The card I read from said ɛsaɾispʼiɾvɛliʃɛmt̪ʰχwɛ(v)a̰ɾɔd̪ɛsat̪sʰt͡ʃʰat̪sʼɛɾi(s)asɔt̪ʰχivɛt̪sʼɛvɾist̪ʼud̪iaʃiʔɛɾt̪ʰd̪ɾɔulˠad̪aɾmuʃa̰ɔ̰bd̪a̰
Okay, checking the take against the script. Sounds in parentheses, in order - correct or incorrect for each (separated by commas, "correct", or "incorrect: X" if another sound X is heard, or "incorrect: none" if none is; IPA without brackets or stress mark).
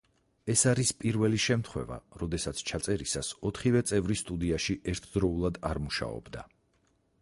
correct, correct